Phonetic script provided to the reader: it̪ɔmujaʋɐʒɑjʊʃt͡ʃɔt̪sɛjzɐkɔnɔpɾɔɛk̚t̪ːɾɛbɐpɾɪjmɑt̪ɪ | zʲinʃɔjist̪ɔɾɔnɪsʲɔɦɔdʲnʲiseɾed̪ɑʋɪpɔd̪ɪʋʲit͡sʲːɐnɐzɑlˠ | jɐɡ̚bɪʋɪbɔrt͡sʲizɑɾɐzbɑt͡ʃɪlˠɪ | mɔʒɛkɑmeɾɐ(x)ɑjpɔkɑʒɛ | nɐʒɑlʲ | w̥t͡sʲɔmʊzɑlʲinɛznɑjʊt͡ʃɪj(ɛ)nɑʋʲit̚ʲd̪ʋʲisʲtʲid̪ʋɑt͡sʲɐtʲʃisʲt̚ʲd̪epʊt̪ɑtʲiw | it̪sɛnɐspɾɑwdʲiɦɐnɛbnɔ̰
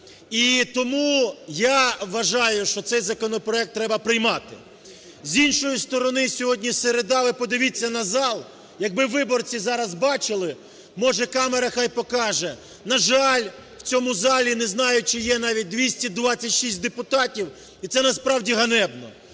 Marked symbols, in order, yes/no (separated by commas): yes, yes